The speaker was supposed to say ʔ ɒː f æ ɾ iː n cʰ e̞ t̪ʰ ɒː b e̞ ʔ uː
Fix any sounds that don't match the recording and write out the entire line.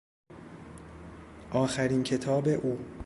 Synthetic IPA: ʔ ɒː x æ ɾ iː n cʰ e̞ t̪ʰ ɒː b e̞ ʔ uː

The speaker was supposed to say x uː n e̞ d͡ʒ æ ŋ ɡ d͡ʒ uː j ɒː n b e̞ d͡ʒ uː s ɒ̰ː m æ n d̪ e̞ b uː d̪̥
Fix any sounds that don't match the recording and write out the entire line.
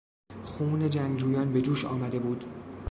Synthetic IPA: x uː n e̞ d͡ʒ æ ŋ ɡ d͡ʒ uː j ɒː n b e̞ d͡ʒ uː ʃ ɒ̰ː m æ d̪ e̞ b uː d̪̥

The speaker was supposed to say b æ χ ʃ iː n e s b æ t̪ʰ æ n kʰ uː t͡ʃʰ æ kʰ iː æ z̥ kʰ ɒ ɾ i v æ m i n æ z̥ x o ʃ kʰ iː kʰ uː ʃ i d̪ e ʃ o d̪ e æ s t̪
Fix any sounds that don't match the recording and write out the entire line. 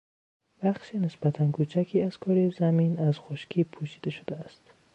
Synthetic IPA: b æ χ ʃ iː n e s b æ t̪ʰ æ n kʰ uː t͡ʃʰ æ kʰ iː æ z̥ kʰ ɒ ɾ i z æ m i n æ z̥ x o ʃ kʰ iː pʰ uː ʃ i d̪ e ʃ o d̪ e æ s t̪

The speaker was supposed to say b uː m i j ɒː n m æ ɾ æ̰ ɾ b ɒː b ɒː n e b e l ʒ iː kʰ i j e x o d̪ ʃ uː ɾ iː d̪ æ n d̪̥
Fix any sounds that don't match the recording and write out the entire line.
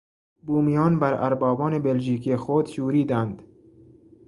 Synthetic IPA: b uː m i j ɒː n b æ ɾ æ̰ ɾ b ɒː b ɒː n e b e l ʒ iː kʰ i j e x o d̪ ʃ uː ɾ iː d̪ æ n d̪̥

